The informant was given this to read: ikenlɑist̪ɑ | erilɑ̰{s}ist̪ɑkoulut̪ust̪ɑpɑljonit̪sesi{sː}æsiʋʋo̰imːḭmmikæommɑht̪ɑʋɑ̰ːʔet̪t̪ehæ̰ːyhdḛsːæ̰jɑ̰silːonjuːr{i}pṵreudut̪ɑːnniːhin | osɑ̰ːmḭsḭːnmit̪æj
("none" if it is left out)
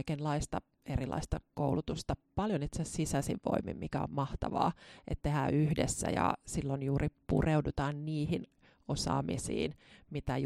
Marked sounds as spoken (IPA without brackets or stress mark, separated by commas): none, s, i